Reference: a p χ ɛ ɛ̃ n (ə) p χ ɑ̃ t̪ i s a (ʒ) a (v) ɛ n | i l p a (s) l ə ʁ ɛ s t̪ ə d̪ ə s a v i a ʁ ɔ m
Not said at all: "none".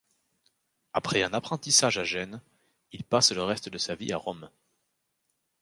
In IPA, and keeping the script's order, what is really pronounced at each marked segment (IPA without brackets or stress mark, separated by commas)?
a, ʒ, ʒ, s